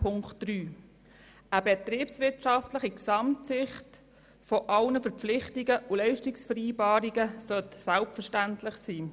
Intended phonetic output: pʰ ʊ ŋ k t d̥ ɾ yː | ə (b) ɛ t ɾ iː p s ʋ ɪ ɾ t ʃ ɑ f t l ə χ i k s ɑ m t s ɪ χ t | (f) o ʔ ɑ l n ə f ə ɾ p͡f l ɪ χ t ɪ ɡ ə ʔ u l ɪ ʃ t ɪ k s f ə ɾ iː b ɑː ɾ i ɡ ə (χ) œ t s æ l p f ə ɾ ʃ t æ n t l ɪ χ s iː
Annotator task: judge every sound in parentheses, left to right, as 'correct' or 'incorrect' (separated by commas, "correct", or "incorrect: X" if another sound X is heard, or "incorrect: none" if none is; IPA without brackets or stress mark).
correct, correct, incorrect: s